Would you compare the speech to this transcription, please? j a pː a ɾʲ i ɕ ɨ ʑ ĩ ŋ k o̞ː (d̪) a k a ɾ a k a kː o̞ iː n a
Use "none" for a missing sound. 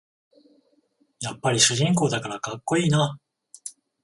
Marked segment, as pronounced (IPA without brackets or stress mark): d̪